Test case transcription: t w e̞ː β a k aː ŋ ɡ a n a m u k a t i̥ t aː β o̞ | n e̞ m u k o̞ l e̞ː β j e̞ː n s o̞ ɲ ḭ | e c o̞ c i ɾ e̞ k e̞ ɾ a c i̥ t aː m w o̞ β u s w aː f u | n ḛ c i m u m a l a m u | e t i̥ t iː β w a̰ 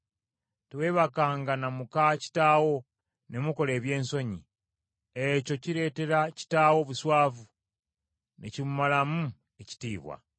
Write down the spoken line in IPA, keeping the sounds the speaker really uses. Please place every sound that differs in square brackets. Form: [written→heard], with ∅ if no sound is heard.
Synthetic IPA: t w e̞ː β a k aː ŋ ɡ a n a m u k a [t→c] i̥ t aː [β→w] o̞ | n e̞ m u k o̞ l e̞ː β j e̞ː n s o̞ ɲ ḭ | e c o̞ c i ɾ e̞ [k→t] e̞ ɾ a c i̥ t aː [m→∅] w o̞ β u s w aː [f→v] u | n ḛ c i m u m a l a m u | e [t→c] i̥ t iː β w a̰